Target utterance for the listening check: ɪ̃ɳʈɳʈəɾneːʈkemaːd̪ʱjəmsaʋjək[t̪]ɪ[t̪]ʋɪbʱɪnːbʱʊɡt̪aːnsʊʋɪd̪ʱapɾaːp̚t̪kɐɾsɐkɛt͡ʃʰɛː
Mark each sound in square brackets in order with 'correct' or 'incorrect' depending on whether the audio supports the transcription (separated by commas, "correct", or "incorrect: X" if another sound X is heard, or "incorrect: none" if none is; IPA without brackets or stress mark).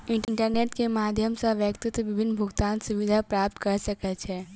correct, correct